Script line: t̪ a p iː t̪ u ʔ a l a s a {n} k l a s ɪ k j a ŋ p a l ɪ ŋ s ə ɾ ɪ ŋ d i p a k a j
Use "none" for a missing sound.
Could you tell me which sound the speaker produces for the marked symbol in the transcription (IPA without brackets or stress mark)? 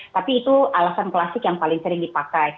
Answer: n